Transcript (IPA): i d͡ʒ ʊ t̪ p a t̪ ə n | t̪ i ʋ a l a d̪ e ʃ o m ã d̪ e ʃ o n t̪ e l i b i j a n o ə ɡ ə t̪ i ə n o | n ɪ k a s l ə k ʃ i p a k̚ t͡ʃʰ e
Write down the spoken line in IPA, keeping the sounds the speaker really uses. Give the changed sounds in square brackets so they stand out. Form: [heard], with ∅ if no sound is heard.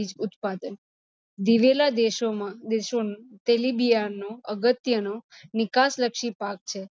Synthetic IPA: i d͡ʒ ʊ t̪ p a [d̪] ə n | [d̪] i ʋ [e] l a d̪ e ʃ o m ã d̪ e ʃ o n t̪ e l i b i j a n o ə ɡ ə t̪ [j] ə n o | n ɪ k a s l ə k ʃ i p a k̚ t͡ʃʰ e

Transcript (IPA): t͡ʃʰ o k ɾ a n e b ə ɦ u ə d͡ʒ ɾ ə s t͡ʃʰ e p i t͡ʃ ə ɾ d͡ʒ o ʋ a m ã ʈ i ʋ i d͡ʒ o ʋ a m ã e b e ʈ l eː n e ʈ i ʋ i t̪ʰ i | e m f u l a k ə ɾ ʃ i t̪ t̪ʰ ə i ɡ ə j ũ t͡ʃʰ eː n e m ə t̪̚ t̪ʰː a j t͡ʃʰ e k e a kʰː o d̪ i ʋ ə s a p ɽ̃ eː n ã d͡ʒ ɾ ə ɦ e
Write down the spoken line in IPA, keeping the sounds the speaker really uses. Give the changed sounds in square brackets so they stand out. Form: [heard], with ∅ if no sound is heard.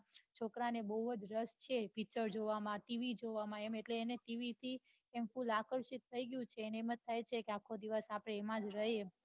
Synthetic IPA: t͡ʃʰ o k ɾ a n e b ə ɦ u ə d͡ʒ ɾ ə s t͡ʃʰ e p i t͡ʃ ə ɾ d͡ʒ o ʋ a m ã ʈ i ʋ i d͡ʒ o ʋ a m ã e [m] e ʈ l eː n e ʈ i ʋ i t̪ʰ i | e m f u l a k ə ɾ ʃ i t̪ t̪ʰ ə i ɡ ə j ũ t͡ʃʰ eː n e m ə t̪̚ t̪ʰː a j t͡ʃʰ e k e a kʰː o d̪ i ʋ ə s a p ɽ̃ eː [m] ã d͡ʒ ɾ ə ɦ e

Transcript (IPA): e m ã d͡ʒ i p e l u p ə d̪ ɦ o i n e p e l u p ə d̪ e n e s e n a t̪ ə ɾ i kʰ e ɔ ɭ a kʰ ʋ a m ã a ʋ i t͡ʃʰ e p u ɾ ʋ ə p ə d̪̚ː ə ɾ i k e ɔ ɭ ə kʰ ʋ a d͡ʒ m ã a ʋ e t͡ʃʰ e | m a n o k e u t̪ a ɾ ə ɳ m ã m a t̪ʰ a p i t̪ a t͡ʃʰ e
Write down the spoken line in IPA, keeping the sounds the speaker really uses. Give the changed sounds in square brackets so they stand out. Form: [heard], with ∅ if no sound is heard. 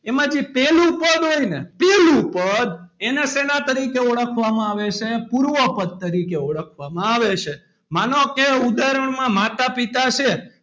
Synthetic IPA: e m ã d͡ʒ i p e l u p ə d̪ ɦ o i n e p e l u p ə d̪ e n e s e n a t̪ ə ɾ i [k] e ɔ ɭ [ə] kʰ ʋ a m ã a ʋ [e] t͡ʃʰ e p u ɾ ʋ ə p ə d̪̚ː ə ɾ i k e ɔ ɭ ə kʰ ʋ a [∅] m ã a ʋ e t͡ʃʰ e | m a n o k e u [d̪] a ɾ ə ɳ m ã m a [t̪] a p i t̪ a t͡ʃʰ e

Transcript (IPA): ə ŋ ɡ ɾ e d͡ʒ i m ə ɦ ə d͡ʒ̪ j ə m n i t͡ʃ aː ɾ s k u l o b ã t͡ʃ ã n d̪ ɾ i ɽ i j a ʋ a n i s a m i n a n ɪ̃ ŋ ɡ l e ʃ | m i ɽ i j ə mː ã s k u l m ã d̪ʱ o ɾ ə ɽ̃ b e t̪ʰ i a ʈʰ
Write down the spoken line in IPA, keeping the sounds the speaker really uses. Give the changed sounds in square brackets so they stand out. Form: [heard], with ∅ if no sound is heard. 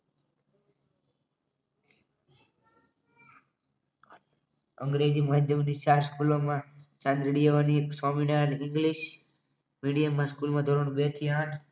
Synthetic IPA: ə ŋ ɡ ɾ e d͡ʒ i m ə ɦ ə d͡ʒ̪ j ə m n i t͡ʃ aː ɾ s k u l o [m] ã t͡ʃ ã n d̪ ɾ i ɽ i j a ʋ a n i s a m i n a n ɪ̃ ŋ ɡ l [i] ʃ | m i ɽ i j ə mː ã s k u l m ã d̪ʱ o ɾ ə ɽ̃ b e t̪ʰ i a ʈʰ

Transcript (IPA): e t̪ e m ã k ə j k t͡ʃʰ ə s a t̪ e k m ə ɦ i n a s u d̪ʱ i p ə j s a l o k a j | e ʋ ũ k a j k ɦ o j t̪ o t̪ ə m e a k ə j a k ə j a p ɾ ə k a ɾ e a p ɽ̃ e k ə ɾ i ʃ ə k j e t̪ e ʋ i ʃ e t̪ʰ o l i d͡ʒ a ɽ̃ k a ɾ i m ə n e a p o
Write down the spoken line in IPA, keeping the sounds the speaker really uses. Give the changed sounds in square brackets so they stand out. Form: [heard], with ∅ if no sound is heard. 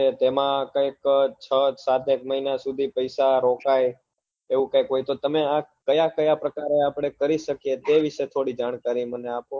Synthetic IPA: e t̪ e m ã k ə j k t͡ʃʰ ə s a t̪ e k m ə ɦ i n a s u d̪ʱ i p ə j s a [ɾ] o k a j | e ʋ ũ k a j k ɦ o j t̪ o t̪ ə m e a k ə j a k ə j a p ɾ ə k a ɾ e a p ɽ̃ e k ə ɾ i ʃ ə k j e t̪ e ʋ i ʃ e t̪ʰ o [ɽ] i d͡ʒ a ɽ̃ k a ɾ i m ə n e a p o

